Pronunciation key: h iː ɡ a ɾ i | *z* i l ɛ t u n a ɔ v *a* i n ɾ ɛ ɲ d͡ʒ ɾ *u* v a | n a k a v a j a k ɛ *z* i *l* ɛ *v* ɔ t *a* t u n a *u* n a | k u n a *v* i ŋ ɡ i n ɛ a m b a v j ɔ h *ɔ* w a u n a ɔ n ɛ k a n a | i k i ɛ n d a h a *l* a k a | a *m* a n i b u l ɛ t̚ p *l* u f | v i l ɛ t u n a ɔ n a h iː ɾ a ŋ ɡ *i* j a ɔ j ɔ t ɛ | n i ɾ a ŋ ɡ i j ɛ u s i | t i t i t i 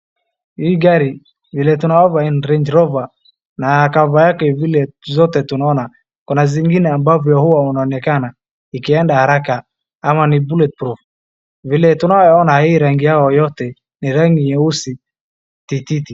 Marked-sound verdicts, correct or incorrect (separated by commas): incorrect, correct, incorrect, incorrect, correct, incorrect, incorrect, incorrect, incorrect, incorrect, incorrect, correct, incorrect, correct